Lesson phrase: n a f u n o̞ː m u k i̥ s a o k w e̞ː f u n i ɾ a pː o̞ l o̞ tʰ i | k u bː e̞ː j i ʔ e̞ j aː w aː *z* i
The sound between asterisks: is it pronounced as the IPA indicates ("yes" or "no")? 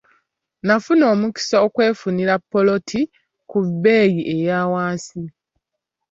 no